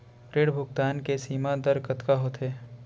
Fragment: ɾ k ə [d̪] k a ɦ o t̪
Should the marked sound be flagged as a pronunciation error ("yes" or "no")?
yes